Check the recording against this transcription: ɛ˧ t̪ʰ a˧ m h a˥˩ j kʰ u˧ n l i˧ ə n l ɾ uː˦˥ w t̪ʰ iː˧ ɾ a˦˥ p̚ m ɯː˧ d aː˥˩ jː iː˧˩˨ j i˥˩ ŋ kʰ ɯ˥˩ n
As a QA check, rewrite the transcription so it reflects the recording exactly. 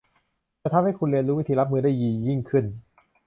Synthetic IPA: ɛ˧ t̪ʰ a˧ m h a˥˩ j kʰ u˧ n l i˧ ə n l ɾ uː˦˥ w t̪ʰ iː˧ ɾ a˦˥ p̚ m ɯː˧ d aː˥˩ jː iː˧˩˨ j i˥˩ ŋ kʰ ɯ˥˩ n